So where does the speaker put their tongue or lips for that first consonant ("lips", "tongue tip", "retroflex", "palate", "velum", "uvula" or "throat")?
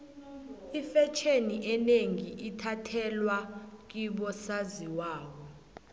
lips